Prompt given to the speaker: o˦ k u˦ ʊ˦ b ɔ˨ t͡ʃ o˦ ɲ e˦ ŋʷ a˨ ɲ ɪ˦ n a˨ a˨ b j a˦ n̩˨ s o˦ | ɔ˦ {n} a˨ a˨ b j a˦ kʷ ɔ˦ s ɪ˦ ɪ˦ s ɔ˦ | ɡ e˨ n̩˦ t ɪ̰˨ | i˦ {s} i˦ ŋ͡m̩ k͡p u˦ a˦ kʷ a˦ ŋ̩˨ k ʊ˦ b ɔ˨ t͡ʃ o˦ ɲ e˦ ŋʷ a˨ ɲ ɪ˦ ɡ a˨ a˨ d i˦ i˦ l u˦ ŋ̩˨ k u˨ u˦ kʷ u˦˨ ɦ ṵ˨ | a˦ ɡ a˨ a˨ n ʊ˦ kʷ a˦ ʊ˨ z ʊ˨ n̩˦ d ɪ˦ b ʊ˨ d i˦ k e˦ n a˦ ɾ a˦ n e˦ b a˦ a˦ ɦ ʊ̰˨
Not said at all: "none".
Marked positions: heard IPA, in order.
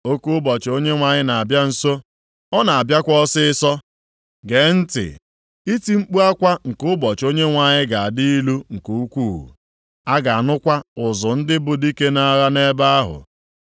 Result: n, t

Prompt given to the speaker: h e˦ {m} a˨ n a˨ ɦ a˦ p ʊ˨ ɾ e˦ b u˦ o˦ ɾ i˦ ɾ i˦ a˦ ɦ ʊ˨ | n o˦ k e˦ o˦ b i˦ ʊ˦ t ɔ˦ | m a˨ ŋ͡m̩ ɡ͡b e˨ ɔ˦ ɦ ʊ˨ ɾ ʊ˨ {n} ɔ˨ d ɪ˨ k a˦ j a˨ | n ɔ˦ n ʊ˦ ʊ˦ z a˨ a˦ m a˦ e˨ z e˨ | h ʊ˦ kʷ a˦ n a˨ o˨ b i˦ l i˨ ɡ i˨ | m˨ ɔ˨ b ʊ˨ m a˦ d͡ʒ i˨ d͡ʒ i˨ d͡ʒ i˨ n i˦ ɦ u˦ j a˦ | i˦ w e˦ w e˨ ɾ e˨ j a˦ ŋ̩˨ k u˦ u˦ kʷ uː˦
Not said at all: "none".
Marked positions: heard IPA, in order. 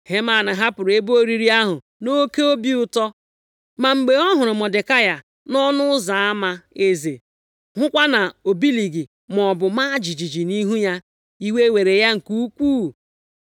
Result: m, m

